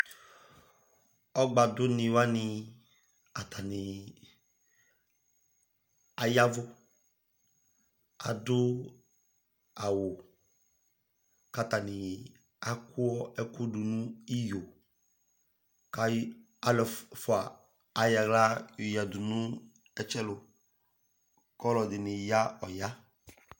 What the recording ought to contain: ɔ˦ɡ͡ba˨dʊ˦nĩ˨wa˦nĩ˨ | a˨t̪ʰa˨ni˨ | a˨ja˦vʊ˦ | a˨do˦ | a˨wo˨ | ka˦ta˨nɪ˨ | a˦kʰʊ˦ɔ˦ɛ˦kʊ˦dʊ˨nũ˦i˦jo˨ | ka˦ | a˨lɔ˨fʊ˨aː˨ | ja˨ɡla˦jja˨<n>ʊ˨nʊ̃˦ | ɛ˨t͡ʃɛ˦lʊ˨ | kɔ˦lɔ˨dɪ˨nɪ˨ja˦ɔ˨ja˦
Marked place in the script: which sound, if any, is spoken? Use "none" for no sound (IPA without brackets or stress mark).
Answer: d